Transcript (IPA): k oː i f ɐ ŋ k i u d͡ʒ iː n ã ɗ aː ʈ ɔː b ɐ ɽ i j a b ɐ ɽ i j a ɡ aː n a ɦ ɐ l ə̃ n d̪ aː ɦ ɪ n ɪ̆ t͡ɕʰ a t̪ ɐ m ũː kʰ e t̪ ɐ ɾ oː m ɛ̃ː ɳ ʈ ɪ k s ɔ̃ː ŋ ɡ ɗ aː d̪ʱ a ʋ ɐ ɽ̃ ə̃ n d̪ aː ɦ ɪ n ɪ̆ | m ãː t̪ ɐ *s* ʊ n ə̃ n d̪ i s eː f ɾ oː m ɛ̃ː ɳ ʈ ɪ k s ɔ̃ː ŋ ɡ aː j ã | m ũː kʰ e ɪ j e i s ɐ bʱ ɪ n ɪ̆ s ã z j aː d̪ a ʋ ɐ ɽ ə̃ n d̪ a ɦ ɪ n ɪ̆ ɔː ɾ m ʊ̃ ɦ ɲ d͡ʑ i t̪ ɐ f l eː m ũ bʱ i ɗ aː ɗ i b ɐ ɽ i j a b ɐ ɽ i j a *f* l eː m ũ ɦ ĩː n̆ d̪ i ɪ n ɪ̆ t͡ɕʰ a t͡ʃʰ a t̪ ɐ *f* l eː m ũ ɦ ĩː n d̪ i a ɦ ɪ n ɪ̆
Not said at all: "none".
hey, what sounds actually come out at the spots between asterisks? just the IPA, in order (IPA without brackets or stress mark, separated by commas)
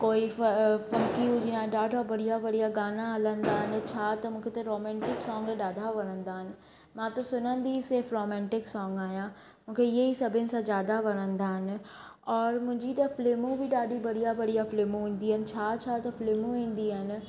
s, f, f